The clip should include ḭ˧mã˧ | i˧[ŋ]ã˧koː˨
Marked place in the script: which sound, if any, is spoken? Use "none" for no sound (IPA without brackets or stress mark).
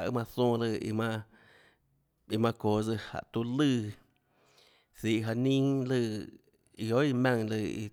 m